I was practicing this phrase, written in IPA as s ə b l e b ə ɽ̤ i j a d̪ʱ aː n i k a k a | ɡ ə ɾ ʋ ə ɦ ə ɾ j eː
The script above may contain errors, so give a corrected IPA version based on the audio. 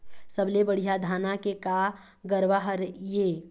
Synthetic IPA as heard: s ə b l e b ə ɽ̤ i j a d̪ʱ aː n a k e k a | ɡ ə ɾ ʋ a ɦ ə ɾ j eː